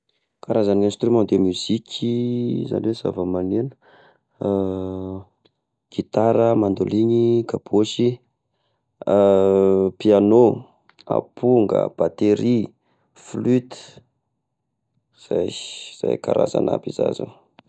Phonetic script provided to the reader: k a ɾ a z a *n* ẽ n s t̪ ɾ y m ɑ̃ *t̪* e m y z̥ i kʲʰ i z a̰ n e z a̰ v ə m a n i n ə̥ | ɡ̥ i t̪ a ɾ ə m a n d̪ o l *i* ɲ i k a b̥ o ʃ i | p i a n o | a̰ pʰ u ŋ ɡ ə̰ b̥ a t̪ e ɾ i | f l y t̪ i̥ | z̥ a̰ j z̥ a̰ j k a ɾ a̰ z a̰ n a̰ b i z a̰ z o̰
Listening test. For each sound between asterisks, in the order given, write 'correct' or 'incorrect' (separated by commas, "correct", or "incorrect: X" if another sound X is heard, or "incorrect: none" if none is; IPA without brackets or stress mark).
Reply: correct, incorrect: d̪, correct